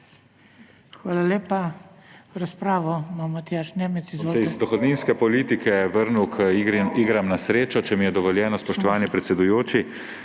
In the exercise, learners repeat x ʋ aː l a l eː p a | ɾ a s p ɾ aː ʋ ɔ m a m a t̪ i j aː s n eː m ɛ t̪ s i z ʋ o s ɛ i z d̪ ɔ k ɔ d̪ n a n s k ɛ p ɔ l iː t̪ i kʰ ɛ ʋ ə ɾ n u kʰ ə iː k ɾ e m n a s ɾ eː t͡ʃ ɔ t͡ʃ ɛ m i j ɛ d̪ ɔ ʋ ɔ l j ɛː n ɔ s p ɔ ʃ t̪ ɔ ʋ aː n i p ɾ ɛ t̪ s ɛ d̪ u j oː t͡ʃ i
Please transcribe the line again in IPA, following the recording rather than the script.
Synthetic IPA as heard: x ʋ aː l a l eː p a | ɾ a s p ɾ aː ʋ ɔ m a m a t̪ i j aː ʃ n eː m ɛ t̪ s i z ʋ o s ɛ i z d̪ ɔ x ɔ d̪ n i n s k ɛ p ɔ l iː t̪ i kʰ ɛ ʋ ə ɾ n u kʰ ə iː ɡ ɾ a m n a s ɾ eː t͡ʃ ɔ t͡ʃ ɛ m i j ɛ d̪ ɔ ʋ ɔ l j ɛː n ɔ s p ɔ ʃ t̪ ɔ ʋ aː n i p ɾ ɛ t̪ s ɛ d̪ u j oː t͡ʃ i

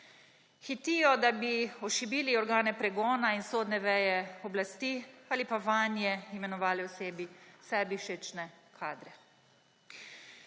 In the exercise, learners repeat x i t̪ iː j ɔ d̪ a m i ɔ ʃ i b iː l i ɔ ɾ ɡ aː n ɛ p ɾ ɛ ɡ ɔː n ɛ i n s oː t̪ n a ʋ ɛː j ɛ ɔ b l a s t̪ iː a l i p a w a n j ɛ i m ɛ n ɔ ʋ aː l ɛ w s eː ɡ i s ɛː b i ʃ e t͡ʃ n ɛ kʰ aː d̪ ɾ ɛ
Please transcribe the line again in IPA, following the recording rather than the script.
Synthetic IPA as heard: x i t̪ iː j ɔ d̪ a b i ɔ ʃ i b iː l i ɔ ɾ ɡ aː n ɛ p ɾ ɛ ɡ ɔː n a i n s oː d̪ n ɛ ʋ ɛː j ɛ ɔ b l a s t̪ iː a l i p a ʋ a n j ɛ i m ɛ n ɔ ʋ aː l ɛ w s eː b i s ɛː b i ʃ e t͡ʃ n ɛ kʰ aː d̪ ɾ ɛ

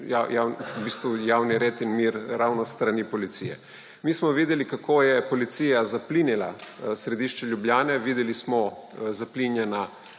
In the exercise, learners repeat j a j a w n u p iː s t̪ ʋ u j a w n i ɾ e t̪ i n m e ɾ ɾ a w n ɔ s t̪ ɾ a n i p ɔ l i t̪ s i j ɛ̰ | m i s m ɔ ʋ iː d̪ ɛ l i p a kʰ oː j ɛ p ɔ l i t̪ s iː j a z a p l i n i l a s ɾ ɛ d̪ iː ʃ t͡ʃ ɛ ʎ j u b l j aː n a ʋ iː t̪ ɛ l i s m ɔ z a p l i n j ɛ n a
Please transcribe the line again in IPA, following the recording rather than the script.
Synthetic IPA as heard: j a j a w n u b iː s t̪ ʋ u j a w n i ɾ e t̪ i n m i ɾ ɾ a w n ɔ s t̪ ɾ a n i p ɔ l i t̪ s i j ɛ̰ | m i s m ɔ ʋ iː d̪ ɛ l i k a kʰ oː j ɛ p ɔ l i t̪ s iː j a z a p l i n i l a s ɾ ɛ d̪ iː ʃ t͡ʃ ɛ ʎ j u b l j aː n ɛ ʋ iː d̪ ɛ l i s m ɔ z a p l i n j ɛ n a

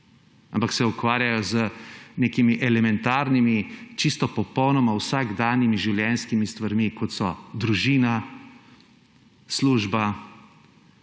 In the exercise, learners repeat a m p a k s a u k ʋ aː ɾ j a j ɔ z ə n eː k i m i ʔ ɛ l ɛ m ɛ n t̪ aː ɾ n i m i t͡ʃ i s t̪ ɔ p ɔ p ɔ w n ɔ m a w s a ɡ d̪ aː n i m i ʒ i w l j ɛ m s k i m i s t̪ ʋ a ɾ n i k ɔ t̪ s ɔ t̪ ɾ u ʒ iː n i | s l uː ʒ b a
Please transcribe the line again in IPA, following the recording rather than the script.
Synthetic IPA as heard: a m p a k s ɛ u k ʋ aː ɾ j a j ɔ z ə n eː k i m i ʔ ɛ l ɛ m ɛ n t̪ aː ɾ n i m i t͡ʃ i s t̪ ɔ p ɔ p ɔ w n ɔ m a w s a ɡ d̪ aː n i m i ʒ i w l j ɛ n s k i m i s t̪ ʋ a ɾ m i k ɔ t̪ s ɔ d̪ ɾ u ʒ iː n a | s l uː ʒ b a

